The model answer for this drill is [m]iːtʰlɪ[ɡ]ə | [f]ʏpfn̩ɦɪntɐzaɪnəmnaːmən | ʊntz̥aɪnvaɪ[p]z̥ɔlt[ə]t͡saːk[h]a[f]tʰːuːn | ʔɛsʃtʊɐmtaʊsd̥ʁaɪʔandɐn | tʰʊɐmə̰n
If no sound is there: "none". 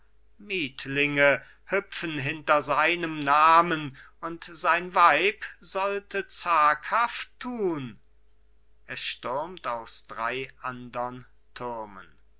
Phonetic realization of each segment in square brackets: m, ŋ, h, p, ə, h, f

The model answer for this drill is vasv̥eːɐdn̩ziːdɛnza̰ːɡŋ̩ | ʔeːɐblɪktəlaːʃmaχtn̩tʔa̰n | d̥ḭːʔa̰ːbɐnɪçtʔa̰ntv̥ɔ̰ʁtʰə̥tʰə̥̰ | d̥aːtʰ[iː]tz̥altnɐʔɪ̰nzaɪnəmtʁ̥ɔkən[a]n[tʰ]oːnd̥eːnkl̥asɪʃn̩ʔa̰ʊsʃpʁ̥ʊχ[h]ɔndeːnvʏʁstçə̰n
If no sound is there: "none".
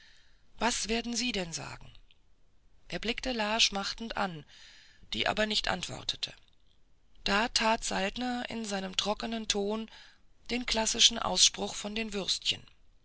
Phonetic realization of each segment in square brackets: aː, ə, tʰ, f

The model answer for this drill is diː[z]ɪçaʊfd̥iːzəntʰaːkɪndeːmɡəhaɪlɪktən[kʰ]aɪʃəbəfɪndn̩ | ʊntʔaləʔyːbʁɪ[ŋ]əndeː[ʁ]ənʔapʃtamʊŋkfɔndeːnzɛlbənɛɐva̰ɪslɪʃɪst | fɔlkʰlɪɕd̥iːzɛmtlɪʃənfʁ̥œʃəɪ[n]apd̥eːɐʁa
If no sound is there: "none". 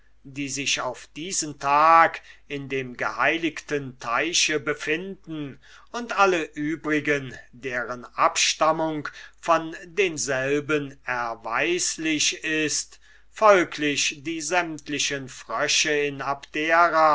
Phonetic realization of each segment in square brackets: z, tʰ, ɡ, ʁ, n

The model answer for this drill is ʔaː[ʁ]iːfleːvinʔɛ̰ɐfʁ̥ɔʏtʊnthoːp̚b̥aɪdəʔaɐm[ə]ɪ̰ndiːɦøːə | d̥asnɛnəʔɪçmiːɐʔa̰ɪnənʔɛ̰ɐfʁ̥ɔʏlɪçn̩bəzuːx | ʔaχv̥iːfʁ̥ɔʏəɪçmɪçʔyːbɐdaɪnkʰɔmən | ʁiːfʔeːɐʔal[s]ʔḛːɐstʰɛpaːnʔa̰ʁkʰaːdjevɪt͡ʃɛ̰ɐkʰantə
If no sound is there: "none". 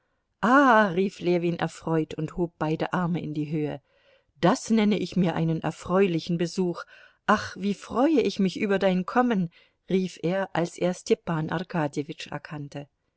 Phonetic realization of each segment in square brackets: ʁ, ə, s

